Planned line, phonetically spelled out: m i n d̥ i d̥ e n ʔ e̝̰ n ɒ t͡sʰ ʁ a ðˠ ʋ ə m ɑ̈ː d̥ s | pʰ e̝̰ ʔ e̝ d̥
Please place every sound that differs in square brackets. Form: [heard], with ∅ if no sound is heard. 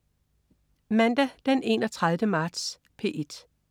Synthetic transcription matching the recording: m [æ] n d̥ [æ] d̥ e n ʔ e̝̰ n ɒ t͡sʰ ʁ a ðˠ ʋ ə m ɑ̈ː d̥ s | pʰ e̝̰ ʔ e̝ d̥

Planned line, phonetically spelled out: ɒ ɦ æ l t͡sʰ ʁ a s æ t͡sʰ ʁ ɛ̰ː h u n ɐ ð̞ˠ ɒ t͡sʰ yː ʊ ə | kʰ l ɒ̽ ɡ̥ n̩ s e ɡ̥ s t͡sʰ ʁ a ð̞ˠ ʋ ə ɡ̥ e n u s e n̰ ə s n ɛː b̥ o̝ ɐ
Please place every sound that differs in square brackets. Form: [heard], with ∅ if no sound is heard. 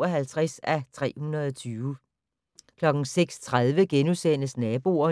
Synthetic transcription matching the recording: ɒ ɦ æ l t͡sʰ ʁ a s æ t͡sʰ ʁ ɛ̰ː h u n ɐ ð̞ˠ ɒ t͡sʰ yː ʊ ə | kʰ l ɒ̽ ɡ̥ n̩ s e ɡ̥ s t͡sʰ ʁ a ð̞ˠ ʋ ə ɡ̥ e n u s e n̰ ə s n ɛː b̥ o̝ ɐ

